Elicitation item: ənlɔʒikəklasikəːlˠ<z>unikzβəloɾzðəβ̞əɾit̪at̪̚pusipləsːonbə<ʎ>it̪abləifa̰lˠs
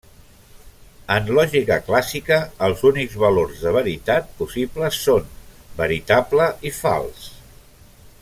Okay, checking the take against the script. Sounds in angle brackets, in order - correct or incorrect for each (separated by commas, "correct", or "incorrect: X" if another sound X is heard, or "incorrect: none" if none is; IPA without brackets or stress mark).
correct, incorrect: ɾ